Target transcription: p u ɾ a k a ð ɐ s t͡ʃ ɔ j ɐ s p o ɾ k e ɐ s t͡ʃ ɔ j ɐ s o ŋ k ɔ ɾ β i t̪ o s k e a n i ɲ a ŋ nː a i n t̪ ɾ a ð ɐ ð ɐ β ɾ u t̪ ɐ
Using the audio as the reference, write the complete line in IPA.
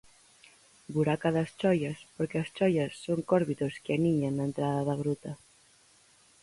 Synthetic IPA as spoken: b u ɾ a k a ð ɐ s t͡ʃ ɔ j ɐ s p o ɾ k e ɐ s t͡ʃ ɔ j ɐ sː o ŋ k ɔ ɾ β i t̪ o s k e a n i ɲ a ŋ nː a e n t̪ ɾ a ð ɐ ð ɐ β ɾ u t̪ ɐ